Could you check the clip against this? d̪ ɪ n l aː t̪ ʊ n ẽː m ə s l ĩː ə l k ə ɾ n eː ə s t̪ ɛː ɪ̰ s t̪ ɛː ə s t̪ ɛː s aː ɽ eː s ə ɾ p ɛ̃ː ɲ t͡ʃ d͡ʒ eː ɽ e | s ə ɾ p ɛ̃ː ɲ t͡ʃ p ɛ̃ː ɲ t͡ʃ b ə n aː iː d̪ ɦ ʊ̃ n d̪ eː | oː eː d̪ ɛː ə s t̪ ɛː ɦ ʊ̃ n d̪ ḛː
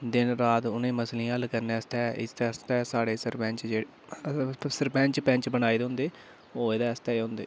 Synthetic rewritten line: d̪ ɪ n ɾ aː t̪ ʊ n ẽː m ə s l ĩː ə l k ə ɾ n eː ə s t̪ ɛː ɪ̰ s t̪ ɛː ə s t̪ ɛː s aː ɽ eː s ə ɾ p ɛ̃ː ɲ t͡ʃ d͡ʒ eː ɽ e | s ə ɾ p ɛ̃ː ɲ t͡ʃ p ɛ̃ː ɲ t͡ʃ b ə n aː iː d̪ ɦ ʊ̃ n d̪ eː | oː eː d̪ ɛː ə s t̪ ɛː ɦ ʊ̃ n d̪ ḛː

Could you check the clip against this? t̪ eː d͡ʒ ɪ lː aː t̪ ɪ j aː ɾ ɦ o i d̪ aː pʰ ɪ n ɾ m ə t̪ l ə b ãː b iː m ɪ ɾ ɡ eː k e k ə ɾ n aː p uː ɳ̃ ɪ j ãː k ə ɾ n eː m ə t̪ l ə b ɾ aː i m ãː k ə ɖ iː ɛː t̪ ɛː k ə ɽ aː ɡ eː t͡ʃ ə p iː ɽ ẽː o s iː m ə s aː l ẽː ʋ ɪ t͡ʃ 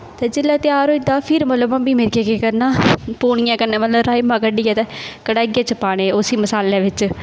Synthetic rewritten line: t̪ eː d͡ʒ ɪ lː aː t̪ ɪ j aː ɾ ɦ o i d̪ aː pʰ ɪ ɾ m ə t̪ l ə b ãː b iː m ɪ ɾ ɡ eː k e k ə ɾ n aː p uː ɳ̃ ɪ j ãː k ə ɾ n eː m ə t̪ l ə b ɾ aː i m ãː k ə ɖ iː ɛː t̪ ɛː k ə ɽ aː ɡ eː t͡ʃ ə p aː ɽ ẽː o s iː m ə s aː l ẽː ʋ ɪ t͡ʃ

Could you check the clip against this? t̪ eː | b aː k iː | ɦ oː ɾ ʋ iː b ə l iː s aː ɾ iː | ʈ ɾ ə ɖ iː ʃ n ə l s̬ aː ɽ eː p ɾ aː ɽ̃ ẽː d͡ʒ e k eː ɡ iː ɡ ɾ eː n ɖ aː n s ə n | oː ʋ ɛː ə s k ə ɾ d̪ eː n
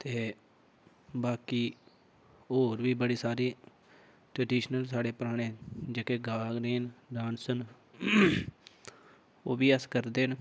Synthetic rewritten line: t̪ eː | b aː k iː | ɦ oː ɾ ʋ iː b ə ɽ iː s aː ɾ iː | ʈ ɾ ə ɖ iː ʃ n ə l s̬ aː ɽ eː p ɾ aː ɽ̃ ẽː d͡ʒ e k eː ɡ aː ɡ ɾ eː n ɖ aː n s ə n | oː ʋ iː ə s k ə ɾ d̪ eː n

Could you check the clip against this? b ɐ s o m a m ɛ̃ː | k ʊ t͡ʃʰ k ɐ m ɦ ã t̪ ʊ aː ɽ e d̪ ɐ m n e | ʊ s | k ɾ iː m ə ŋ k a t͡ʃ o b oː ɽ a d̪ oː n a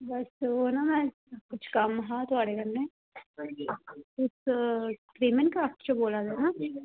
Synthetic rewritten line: b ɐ s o n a m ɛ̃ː | k ʊ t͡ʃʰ k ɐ m ɦ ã t̪ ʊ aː ɽ e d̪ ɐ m n e | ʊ s | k ɾ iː m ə n k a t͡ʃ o b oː l a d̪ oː n a

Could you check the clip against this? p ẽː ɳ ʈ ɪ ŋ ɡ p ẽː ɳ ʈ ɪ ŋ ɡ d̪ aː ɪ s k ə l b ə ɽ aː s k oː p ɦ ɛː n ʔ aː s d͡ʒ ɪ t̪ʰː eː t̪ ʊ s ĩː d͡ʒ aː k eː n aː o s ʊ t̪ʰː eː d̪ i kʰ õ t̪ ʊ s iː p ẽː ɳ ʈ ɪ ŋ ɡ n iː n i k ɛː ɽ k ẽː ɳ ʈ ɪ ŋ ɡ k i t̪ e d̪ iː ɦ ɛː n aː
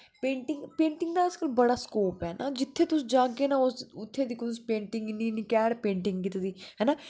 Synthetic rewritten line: p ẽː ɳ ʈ ɪ ŋ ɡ p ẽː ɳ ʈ ɪ ŋ ɡ d̪ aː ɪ s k ə l b ə ɽ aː s k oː p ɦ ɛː n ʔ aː d͡ʒ ɪ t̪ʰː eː t̪ ʊ s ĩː d͡ʒ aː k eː n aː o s ʊ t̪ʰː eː d̪ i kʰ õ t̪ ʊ s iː p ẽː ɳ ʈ ɪ ŋ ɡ n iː n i k ɛː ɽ p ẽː ɳ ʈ ɪ ŋ ɡ k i t̪ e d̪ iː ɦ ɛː n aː

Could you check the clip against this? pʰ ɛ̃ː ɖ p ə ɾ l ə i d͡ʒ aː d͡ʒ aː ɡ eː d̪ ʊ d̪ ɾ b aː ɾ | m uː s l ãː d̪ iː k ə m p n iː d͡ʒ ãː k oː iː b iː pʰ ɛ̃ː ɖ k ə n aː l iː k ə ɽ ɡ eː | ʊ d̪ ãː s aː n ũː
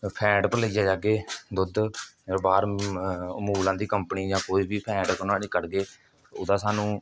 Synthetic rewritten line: pʰ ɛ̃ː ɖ p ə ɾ l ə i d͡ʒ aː d͡ʒ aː ɡ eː d̪ ʊ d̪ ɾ b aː ɾ | m uː l ãː d̪ iː k ə m p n iː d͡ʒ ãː k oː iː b iː pʰ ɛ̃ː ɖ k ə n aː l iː k ə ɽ ɡ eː | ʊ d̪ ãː s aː n ũː

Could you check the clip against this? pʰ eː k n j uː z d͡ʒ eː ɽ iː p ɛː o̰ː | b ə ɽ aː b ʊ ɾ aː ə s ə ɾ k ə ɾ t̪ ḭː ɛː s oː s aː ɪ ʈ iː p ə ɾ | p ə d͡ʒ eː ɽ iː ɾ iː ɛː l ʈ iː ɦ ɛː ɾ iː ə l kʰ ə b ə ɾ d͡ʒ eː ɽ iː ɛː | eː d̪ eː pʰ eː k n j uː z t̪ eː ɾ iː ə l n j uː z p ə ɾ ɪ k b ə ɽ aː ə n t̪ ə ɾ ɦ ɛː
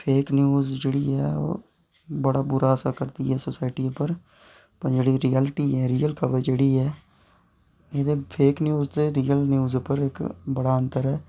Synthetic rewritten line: pʰ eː k n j uː z d͡ʒ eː ɽ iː ɛː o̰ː | b ə ɽ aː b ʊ ɾ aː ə s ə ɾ k ə ɾ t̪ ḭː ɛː s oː s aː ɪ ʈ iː p ə ɾ | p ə d͡ʒ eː ɽ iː ɾ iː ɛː l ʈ iː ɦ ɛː ɾ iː ə l kʰ ə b ə ɾ d͡ʒ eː ɽ iː ɛː | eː d̪ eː pʰ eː k n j uː z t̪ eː ɾ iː ə l n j uː z p ə ɾ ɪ k b ə ɽ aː ə n t̪ ə ɾ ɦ ɛː

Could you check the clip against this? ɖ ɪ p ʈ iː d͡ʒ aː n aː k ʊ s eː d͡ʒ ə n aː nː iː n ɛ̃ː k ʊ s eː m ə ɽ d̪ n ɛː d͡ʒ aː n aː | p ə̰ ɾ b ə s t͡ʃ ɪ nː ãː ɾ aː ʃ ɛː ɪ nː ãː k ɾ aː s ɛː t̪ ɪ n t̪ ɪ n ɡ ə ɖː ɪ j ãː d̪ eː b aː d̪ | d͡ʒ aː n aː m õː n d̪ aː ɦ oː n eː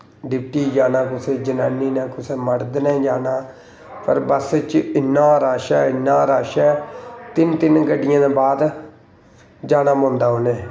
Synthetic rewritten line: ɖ ɪ p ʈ iː d͡ʒ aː n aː k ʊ s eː d͡ʒ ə n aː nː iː n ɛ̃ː k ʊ s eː m ə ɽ d̪ n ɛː d͡ʒ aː n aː | p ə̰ ɾ b ə s t͡ʃ ɪ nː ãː ɾ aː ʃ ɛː ɪ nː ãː ɾ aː ʃ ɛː t̪ ɪ n t̪ ɪ n ɡ ə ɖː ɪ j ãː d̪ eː b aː d̪ | d͡ʒ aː n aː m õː n d̪ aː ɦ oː n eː

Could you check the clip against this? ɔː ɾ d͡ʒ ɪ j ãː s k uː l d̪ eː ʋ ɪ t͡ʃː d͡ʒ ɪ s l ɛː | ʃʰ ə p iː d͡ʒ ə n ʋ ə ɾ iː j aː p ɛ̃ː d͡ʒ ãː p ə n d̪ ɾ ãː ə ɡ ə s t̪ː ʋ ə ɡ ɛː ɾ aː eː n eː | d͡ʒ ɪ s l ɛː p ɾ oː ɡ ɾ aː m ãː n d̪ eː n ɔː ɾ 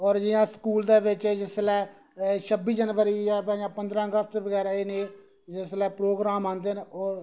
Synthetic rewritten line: ɔː ɾ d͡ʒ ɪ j ãː s k uː l d̪ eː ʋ ɪ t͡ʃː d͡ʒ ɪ s l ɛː | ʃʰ ə b iː d͡ʒ ə n ʋ ə ɾ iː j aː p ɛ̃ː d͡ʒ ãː p ə n d̪ ɾ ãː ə ɡ ə s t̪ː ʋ ə ɡ ɛː ɾ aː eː n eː | d͡ʒ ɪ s l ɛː p ɾ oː ɡ ɾ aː m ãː n d̪ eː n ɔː ɾ

